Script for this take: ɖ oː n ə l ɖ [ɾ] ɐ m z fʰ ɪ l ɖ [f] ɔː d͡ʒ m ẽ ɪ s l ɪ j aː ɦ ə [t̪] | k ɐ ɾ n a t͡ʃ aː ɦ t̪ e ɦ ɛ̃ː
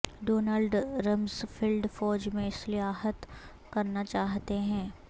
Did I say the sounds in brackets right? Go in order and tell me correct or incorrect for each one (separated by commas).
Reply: correct, correct, correct